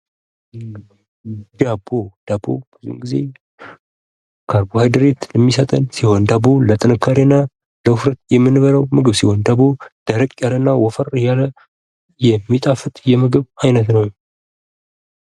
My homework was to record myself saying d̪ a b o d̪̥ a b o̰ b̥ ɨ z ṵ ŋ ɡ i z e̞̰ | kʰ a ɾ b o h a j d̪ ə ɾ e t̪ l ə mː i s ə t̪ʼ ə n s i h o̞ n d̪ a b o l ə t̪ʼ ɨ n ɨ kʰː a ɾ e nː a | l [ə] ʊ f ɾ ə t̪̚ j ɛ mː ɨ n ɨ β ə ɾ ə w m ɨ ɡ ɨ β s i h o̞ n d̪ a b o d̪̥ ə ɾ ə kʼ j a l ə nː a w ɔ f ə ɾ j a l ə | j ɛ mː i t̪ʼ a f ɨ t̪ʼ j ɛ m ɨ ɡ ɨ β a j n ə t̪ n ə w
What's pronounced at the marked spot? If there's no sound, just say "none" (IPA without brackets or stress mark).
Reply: ə